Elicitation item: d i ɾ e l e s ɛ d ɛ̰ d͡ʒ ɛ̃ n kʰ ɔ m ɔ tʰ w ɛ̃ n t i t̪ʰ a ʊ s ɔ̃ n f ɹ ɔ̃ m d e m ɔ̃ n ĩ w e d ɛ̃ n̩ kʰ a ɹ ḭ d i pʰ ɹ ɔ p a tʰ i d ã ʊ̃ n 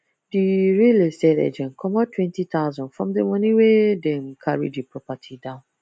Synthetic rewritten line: d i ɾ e l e s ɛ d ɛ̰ d͡ʒ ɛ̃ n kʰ ɔ m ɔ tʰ w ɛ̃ n t i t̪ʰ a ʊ z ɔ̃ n f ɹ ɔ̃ m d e m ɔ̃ n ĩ w e d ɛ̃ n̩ kʰ a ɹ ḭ d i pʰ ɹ ɔ p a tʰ i d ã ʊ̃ n